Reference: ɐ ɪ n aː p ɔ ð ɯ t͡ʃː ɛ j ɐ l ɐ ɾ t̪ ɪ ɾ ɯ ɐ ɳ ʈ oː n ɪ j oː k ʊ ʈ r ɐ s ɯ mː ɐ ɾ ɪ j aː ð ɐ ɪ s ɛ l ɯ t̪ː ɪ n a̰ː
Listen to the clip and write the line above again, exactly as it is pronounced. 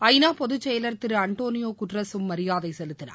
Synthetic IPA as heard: ɐ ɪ n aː p ɔ ð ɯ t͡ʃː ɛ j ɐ l ɐ ɾ t̪ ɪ ɾ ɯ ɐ ɳ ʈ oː n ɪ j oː k ʊ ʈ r ɐ s ɯ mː ɐ ɾ ɪ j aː ð ɐ ɪ s ɛ l ɯ t̪ː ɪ n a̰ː